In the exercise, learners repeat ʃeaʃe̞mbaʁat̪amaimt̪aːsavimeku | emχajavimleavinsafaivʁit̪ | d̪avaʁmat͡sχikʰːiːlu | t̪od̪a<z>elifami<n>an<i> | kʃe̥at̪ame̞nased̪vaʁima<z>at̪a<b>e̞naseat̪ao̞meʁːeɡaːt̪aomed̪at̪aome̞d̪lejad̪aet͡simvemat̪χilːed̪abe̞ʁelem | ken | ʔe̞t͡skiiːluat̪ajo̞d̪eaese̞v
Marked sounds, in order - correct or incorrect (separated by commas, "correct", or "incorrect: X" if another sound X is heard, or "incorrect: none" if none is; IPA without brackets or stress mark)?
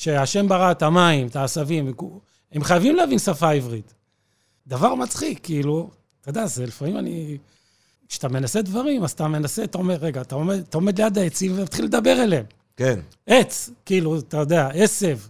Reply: correct, incorrect: m, correct, correct, incorrect: m